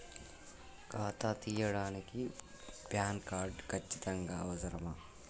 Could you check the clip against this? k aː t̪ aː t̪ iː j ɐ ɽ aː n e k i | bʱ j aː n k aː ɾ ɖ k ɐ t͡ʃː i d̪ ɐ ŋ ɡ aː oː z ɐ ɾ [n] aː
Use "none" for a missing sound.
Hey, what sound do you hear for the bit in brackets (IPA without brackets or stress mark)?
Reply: m